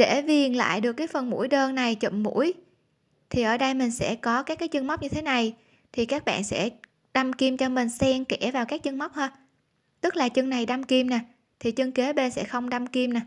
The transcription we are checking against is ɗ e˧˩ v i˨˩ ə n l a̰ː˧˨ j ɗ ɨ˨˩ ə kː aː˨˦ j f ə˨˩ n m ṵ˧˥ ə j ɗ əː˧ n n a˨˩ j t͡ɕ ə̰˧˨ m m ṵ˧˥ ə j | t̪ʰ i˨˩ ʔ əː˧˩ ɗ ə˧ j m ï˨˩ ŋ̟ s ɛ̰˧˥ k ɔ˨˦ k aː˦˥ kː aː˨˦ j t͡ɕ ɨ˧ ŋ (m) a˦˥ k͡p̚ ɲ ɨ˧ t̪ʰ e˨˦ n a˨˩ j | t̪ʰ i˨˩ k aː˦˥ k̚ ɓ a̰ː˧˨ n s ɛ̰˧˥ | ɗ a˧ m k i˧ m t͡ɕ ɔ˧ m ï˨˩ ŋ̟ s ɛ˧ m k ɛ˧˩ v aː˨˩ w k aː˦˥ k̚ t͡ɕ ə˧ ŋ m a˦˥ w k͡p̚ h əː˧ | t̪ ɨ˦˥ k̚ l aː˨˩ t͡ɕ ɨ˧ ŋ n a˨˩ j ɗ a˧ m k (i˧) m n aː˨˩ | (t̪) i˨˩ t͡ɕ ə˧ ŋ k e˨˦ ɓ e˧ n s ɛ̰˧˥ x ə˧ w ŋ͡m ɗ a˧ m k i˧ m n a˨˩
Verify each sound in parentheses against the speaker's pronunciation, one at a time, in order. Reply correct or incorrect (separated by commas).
correct, correct, incorrect